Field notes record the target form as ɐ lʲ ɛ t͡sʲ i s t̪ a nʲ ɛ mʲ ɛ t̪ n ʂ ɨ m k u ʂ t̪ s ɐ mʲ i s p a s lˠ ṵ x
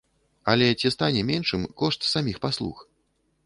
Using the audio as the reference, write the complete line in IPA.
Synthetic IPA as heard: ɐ lʲ ɛ t͡sʲ i s t̪ a nʲ ɛ mʲ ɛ n ʂ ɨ m k ɔ ʂ t̪ s a mʲ i x p a s lˠ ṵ x